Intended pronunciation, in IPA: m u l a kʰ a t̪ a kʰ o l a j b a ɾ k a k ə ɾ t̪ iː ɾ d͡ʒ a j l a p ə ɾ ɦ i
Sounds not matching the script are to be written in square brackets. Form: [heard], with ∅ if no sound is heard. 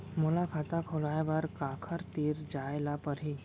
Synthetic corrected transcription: m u l a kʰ a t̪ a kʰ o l a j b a ɾ k a [kʰ] ə ɾ t̪ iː ɾ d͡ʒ a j l a p ə ɾ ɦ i